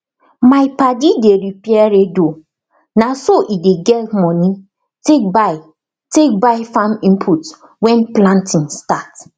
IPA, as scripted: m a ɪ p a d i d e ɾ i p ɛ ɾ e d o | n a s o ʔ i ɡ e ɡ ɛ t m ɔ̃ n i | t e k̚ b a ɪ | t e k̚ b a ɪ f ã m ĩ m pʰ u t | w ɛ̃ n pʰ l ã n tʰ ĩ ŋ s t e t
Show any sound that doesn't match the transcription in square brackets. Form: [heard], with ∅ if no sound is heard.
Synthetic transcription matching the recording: m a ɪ p a d i d e ɾ i p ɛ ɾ e d o | n a s o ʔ i [d] e ɡ ɛ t m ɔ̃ n i | t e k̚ b a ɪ | t e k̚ b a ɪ f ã m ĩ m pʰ u t | w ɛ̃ n [p] l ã n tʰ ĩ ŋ s t [a] t